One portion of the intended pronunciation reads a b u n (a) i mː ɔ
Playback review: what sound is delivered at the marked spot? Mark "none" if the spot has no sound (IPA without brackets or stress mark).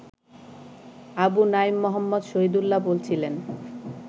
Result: a